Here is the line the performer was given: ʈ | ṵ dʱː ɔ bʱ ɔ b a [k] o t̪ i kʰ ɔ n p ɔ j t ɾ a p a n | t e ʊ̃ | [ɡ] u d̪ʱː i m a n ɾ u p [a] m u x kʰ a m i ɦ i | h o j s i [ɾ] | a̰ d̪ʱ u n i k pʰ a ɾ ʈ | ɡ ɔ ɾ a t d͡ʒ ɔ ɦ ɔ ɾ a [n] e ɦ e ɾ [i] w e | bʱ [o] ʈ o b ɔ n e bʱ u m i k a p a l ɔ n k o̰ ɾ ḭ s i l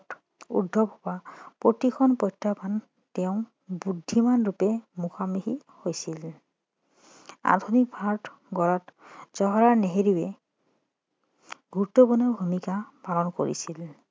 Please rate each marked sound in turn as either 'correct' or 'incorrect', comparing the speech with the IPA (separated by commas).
incorrect, incorrect, incorrect, incorrect, correct, correct, incorrect